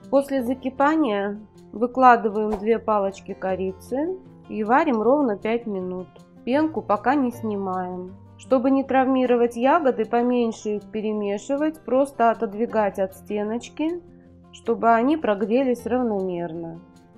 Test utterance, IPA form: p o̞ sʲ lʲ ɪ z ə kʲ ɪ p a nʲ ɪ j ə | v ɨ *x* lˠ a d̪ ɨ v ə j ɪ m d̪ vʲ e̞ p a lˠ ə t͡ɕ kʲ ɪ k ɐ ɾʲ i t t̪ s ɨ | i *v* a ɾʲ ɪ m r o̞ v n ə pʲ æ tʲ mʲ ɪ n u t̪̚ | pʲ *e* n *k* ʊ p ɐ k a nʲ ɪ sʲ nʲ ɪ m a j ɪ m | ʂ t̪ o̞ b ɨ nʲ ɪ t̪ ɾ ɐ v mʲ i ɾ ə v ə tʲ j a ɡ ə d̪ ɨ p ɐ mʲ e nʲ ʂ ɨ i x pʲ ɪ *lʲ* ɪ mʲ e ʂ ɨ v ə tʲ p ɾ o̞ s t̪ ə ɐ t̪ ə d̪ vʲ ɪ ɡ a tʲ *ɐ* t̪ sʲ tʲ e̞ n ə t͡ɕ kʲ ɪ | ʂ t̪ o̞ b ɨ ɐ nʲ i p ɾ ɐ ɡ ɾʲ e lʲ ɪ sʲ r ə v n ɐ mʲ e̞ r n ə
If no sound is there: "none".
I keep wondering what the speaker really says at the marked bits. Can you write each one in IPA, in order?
k, v, e, k, ɾʲ, ɐ

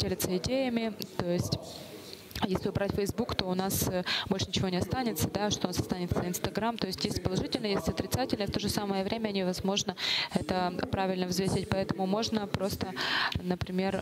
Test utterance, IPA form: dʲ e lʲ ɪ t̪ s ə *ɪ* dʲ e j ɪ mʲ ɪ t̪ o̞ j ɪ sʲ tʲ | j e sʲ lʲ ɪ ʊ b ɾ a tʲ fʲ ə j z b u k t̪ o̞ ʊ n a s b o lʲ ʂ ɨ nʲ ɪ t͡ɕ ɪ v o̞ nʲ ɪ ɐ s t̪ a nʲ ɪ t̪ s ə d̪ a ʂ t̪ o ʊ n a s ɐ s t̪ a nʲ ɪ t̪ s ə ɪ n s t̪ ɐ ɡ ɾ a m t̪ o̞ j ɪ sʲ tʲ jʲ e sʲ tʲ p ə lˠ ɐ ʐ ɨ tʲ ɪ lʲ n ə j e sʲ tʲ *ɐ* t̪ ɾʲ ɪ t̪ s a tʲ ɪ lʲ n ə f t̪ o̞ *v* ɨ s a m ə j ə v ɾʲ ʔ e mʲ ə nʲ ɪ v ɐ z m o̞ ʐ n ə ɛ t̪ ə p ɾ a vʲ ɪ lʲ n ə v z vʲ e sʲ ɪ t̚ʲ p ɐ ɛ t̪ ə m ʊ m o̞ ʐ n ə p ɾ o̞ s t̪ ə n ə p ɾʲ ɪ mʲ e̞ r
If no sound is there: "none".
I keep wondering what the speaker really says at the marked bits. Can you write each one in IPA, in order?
ɪ, ɐ, ʐ

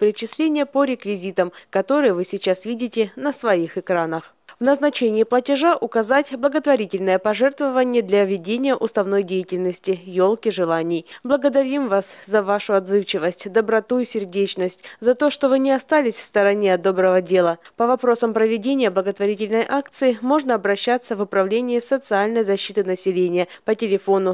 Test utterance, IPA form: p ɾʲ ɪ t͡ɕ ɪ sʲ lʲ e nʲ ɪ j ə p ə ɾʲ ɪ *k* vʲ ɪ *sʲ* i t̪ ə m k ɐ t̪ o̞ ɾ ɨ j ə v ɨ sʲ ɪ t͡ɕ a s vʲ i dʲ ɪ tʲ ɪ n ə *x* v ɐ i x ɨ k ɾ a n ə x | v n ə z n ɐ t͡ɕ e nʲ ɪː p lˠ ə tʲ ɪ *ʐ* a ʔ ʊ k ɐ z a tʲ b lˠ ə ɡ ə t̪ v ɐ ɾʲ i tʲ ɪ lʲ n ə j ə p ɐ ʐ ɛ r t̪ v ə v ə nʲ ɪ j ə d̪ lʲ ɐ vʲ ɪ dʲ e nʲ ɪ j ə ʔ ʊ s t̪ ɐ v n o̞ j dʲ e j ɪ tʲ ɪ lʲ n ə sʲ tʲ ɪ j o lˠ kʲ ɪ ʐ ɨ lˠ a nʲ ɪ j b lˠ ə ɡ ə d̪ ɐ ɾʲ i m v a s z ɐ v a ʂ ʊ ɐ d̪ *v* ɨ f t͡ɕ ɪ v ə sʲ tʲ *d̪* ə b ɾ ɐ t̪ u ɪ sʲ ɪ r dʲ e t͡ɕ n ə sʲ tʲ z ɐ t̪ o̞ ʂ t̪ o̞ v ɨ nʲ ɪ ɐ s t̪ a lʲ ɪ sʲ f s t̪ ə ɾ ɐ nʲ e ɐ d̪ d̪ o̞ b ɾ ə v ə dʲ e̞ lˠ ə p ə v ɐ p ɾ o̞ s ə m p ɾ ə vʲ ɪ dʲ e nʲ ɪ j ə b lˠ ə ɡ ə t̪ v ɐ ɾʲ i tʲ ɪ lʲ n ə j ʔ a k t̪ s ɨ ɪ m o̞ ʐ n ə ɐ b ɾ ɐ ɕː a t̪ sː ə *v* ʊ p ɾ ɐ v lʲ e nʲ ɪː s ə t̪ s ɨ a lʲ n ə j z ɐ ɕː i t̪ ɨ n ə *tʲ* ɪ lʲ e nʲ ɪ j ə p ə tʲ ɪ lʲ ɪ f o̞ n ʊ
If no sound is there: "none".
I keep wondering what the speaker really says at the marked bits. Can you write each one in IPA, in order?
k, zʲ, s, ʐ, z, d̪, v, sʲ

